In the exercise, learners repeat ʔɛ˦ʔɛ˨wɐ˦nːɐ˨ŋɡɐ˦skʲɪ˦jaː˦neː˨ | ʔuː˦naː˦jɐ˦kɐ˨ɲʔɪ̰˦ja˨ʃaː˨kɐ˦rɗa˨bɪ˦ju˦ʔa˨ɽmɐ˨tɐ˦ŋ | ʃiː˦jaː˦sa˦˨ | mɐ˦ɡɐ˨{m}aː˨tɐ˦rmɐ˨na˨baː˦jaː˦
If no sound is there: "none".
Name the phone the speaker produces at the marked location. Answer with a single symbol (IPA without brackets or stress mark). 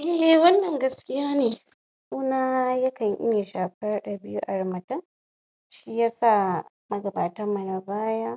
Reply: b